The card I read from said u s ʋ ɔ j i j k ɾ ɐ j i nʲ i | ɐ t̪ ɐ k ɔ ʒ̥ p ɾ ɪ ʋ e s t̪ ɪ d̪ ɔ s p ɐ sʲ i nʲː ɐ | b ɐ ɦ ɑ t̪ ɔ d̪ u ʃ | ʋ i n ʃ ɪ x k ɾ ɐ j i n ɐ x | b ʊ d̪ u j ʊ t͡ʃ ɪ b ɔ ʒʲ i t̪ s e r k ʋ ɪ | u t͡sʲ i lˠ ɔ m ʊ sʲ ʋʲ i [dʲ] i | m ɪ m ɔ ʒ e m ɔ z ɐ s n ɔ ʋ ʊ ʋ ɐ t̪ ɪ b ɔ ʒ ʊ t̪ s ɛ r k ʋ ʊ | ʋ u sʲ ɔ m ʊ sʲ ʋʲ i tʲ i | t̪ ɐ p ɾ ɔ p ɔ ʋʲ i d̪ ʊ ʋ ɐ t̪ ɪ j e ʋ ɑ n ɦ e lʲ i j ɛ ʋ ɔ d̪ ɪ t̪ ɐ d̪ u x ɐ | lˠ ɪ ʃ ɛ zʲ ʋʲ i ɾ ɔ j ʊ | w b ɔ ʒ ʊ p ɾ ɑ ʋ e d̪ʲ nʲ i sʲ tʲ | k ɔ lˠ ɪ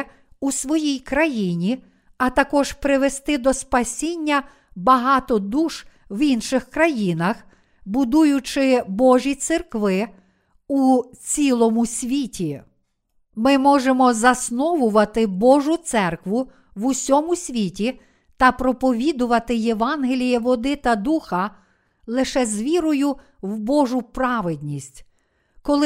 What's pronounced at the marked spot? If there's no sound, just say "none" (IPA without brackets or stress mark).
tʲ